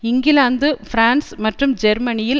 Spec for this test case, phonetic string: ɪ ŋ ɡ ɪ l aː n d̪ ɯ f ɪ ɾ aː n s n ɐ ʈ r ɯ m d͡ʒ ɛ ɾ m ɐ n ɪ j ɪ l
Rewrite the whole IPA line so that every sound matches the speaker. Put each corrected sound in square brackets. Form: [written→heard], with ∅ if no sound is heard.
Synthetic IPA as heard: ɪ ŋ ɡ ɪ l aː n d̪ ɯ f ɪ ɾ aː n s [n→m] ɐ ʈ r ɯ m d͡ʒ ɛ ɾ m ɐ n ɪ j ɪ l